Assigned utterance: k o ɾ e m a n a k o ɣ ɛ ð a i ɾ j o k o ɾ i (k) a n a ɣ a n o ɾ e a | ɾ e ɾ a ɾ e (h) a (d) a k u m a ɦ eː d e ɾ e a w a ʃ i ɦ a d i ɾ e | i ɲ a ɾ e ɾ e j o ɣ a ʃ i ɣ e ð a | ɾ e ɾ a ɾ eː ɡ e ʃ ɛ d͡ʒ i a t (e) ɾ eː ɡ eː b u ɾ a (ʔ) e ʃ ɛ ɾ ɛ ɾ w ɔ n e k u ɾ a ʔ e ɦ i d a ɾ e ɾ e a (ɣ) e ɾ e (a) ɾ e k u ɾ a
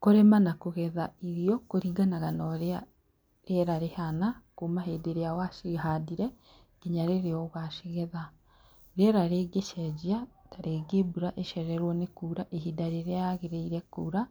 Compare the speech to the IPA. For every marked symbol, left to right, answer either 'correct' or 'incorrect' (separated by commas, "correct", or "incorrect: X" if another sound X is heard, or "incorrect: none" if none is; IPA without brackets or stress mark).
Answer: incorrect: ɡ, correct, incorrect: n, incorrect: a, correct, correct, incorrect: i